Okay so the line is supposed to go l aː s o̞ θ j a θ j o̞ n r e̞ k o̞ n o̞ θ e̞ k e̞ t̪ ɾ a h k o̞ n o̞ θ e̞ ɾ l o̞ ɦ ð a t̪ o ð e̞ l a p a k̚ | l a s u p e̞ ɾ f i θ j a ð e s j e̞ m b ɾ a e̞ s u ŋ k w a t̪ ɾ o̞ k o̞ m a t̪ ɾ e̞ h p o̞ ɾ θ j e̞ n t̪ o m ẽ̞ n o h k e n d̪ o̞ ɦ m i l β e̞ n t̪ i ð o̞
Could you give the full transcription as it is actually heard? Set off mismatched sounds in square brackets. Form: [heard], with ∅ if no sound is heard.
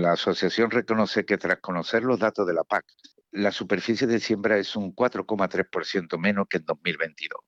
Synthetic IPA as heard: l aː s o̞ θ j a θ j o̞ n r e̞ k o̞ n o̞ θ e̞ k e̞ t̪ ɾ a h k o̞ n o̞ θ e̞ ɾ l o̞ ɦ ð a t̪ o ð e̞ l a p a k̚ | l a s u p e̞ ɾ f i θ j [e] ð e s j e̞ m b ɾ a e̞ s u ŋ k w a t̪ ɾ o̞ k o̞ m a t̪ ɾ e̞ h p o̞ ɾ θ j e̞ n t̪ o m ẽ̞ n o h k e n d̪ o̞ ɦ m i l β e̞ n t̪ i ð o̞